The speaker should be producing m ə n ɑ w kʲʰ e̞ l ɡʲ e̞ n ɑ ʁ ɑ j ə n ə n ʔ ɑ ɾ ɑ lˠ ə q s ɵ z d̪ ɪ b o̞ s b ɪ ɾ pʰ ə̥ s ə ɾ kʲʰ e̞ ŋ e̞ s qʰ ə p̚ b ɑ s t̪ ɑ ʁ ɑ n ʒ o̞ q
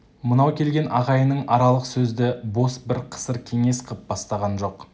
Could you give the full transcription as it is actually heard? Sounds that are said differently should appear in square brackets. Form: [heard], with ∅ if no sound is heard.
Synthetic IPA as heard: m ə n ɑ w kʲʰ e̞ l ɡʲ e̞ n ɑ ʁ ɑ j ə n ə [ɴ] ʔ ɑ ɾ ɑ lˠ ə q s ɵ z d̪ ɪ b o̞ s b ɪ ɾ [qʰ] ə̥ s ə ɾ kʲʰ e̞ ŋ e̞ s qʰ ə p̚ b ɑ s t̪ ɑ ʁ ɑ n ʒ o̞ q